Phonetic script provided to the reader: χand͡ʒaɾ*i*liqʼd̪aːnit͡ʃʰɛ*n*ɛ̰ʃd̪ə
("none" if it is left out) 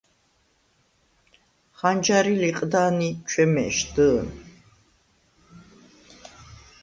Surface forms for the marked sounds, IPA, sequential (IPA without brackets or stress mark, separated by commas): i, m